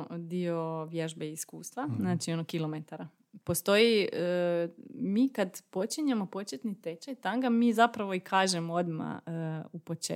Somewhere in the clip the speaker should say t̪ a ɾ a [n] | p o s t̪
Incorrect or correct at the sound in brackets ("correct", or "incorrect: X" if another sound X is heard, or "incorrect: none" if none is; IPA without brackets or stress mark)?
incorrect: none